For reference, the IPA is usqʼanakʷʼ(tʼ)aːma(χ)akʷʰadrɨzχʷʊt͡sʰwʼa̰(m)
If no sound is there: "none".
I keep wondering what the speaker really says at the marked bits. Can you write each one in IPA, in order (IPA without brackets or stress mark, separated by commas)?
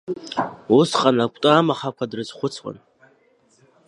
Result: tʼ, χ, n